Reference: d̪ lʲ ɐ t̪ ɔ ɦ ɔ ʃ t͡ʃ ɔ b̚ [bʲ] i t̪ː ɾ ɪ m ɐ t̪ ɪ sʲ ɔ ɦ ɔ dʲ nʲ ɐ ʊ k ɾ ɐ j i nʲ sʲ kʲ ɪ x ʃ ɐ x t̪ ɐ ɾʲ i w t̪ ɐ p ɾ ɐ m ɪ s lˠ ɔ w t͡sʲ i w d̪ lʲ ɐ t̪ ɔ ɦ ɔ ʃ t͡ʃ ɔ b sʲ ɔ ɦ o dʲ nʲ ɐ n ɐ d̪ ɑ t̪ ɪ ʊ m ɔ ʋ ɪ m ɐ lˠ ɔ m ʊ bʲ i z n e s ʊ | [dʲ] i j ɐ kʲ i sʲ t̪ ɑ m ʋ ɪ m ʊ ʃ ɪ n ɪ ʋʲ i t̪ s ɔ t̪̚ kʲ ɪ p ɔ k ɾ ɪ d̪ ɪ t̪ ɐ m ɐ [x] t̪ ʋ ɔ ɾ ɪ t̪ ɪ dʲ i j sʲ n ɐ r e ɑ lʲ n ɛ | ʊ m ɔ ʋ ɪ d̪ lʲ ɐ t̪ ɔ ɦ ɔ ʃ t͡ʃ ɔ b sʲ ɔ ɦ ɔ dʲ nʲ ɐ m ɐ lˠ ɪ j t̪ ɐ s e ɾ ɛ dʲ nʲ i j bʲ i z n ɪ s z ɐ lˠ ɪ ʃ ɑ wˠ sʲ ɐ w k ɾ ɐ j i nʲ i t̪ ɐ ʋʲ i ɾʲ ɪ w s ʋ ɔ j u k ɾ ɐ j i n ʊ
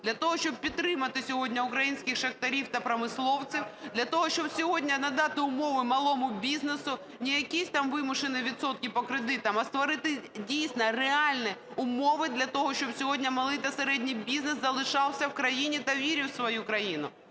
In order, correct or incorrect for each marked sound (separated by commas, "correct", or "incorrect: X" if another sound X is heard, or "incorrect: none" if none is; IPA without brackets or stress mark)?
incorrect: pʲ, incorrect: nʲ, incorrect: s